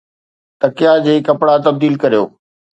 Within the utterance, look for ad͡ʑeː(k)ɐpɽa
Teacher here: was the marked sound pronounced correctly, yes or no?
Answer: yes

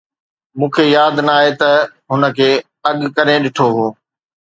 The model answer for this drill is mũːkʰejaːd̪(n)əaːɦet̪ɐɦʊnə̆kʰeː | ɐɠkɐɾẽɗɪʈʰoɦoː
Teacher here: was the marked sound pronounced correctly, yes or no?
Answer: yes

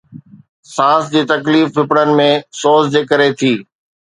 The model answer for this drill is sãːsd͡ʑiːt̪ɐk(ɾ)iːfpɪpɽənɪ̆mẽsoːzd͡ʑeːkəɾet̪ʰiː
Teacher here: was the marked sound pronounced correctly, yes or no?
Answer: no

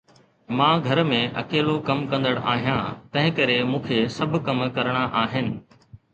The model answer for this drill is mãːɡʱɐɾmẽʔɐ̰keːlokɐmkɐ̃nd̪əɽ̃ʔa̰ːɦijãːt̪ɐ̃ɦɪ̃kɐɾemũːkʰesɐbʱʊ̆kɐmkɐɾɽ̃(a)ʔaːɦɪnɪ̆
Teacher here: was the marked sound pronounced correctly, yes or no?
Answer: yes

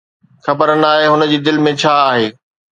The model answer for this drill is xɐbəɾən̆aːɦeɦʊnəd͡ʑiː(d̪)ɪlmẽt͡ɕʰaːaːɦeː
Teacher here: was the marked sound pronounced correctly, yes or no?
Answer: yes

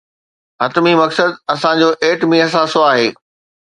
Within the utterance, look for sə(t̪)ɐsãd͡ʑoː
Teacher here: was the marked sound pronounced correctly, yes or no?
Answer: no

